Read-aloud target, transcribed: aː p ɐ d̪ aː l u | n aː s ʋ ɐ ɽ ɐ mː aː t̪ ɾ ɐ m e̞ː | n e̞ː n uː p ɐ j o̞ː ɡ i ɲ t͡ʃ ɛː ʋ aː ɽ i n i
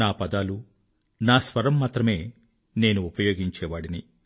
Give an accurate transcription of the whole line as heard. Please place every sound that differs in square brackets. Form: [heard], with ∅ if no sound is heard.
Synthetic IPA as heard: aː p ɐ d̪ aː l u | n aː s ʋ ɐ [ɾ] ɐ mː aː t̪ ɾ ɐ m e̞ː | n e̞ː n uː p ɐ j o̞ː ɡ i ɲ t͡ʃ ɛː ʋ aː ɽ i n i

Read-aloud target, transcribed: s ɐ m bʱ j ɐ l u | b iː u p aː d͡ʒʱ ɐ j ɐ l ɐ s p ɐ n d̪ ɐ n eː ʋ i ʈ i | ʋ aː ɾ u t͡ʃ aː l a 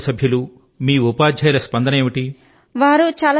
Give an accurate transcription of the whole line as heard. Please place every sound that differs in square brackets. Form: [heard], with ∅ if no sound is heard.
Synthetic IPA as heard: s ɐ [∅] bʱ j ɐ l u | [m] iː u p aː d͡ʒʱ ɐ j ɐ l ɐ s p ɐ n d̪ ɐ n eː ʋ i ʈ i | ʋ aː ɾ u t͡ʃ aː l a

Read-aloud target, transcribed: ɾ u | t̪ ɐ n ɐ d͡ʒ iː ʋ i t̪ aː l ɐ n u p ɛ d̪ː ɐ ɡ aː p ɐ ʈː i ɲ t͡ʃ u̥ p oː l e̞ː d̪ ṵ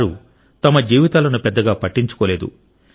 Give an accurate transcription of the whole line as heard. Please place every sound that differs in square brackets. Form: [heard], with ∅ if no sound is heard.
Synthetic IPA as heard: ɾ u | t̪ ɐ [m] ɐ d͡ʒ iː ʋ i t̪ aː l ɐ n u p ɛ d̪ː ɐ ɡ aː p ɐ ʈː i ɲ t͡ʃ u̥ [k] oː l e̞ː d̪ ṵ

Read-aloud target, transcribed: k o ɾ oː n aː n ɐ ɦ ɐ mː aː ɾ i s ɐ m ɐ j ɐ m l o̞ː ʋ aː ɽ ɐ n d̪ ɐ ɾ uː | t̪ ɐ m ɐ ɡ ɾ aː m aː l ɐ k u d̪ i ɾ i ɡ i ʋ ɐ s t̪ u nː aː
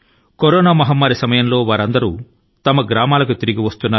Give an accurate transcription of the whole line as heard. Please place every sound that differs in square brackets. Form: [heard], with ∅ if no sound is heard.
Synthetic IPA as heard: k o ɾ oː n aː [m] ɐ ɦ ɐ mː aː ɾ i s ɐ m ɐ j ɐ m l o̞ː ʋ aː [ɾ] ɐ n d̪ ɐ ɾ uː | t̪ ɐ m ɐ ɡ ɾ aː m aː l ɐ k u [t̪] i ɾ i ɡ i ʋ ɐ s t̪ u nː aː

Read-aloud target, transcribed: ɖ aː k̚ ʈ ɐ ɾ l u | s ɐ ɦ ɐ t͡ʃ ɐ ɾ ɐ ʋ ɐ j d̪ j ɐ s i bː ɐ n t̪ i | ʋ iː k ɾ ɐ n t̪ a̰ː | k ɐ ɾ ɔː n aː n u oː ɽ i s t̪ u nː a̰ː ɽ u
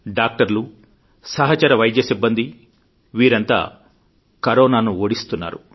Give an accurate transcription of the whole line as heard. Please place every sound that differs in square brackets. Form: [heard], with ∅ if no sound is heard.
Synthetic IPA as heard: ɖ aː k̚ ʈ ɐ ɾ l u | s ɐ ɦ ɐ t͡ʃ ɐ ɾ ɐ ʋ ɐ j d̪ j ɐ s i bː ɐ n [d̪] i | ʋ iː [∅] ɾ ɐ n t̪ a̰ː | k ɐ ɾ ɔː n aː n u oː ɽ i s t̪ u nː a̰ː [ɾ] u

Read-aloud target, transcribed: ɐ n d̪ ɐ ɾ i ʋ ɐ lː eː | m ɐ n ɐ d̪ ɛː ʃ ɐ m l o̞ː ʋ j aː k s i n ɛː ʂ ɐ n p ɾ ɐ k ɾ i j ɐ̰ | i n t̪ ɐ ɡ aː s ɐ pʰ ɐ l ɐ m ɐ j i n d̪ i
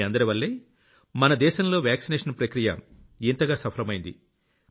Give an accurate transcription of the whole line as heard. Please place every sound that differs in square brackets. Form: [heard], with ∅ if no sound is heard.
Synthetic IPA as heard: ɐ n d̪ ɐ ɾ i ʋ ɐ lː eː | m ɐ n ɐ d̪ ɛː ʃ ɐ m l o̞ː ʋ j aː k s i n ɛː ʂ ɐ n p ɾ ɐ k ɾ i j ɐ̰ | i n t̪ ɐ ɡ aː s ɐ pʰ ɐ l ɐ m ɐ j i n d̪ i

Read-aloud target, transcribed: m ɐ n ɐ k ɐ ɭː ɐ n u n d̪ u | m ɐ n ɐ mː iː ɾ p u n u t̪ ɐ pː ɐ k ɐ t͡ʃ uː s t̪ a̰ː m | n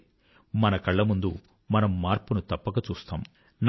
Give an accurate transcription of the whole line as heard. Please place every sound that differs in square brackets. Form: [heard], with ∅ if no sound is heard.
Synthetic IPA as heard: m ɐ n ɐ k ɐ ɭː ɐ [m] u n d̪ u | m ɐ n ɐ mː [aː] ɾ p u n u t̪ ɐ pː ɐ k ɐ t͡ʃ uː s t̪ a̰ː m | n

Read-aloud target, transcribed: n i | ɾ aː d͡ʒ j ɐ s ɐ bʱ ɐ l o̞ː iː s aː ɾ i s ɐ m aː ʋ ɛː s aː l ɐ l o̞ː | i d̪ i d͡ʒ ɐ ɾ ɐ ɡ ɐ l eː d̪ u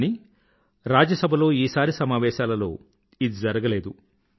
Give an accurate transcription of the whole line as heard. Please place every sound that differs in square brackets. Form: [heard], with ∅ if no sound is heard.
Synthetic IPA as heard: n i | ɾ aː d͡ʒ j ɐ s ɐ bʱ ɐ l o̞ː iː s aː ɾ i s ɐ m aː ʋ ɛː [ʃ] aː l ɐ l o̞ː | i d̪ i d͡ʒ ɐ ɾ ɐ ɡ ɐ l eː d̪ u

